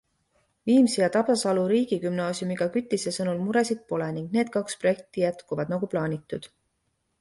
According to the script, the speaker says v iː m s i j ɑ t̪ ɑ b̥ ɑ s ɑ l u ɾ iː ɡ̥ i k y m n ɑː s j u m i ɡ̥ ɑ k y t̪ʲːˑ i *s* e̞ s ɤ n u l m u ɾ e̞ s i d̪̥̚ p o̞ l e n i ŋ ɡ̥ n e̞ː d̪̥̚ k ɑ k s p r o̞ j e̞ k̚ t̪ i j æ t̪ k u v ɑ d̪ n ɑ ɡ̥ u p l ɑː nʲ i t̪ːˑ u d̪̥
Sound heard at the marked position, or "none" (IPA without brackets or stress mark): s